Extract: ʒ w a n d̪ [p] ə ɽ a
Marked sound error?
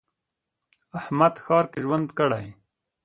yes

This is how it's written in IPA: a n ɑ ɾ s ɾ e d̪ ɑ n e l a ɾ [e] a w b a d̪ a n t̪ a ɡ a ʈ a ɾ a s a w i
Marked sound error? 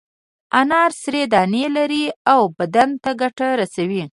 yes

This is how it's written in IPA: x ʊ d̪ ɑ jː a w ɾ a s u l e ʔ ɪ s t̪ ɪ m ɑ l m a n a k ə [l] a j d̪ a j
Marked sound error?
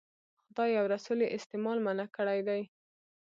yes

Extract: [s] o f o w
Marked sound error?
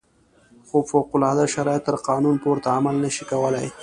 yes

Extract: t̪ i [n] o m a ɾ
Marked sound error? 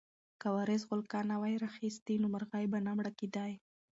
no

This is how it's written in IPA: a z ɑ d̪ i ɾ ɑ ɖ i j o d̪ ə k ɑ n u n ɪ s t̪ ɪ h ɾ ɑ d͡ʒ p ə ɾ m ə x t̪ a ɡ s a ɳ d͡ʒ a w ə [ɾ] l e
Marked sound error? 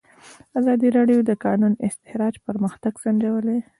yes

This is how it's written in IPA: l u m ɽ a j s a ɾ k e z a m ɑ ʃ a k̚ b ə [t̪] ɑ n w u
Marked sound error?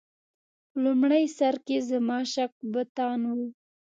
no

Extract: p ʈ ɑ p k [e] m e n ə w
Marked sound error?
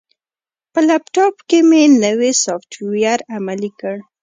no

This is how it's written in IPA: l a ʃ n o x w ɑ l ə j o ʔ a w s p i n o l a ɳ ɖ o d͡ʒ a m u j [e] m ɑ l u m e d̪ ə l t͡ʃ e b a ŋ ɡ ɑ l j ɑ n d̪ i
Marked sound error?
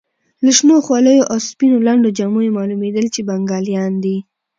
no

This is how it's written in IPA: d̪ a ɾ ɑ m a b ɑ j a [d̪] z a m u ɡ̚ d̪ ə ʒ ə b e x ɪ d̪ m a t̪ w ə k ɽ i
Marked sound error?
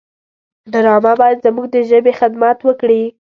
no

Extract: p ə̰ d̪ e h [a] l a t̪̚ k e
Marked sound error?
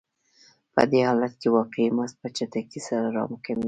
yes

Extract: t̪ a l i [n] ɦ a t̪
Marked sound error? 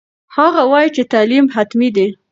yes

